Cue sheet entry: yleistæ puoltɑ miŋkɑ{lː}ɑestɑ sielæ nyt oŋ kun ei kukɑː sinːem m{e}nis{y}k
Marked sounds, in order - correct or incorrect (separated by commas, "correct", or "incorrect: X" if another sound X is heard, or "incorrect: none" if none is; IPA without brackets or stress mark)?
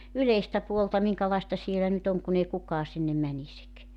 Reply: incorrect: l, incorrect: æ, incorrect: i